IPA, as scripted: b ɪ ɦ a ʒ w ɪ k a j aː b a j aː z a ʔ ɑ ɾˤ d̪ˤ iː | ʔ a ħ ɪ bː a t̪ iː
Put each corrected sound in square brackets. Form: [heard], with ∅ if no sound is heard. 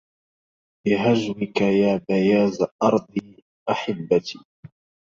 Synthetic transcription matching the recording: b ɪ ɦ a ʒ w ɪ k a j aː b a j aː z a ʔ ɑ ɾˤ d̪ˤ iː | ʔ a ħ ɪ bː a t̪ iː